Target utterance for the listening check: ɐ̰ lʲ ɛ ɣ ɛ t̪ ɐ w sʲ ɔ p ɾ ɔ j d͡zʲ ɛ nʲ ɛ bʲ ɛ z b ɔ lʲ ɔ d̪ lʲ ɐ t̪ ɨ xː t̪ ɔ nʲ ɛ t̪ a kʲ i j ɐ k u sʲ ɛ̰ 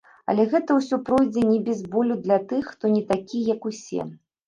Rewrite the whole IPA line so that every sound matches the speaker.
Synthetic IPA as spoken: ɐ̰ lʲ ɛ ɣ ɛ t̪ ɐ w sʲ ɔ p ɾ ɔ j d͡zʲ ɛ nʲ ɛ bʲ ɛ z b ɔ lʲ u d̪ lʲ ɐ t̪ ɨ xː t̪ ɔ nʲ ɛ t̪ a kʲ i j ɐ k u sʲ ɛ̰